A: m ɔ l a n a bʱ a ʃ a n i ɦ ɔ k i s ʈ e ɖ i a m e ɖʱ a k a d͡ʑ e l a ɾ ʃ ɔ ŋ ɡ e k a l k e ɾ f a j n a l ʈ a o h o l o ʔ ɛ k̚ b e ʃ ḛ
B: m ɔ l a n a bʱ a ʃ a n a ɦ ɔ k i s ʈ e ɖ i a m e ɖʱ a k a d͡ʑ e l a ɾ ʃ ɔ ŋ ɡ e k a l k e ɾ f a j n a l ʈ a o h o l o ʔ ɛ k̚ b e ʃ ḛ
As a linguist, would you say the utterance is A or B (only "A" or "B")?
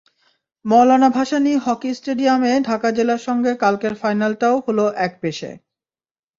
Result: A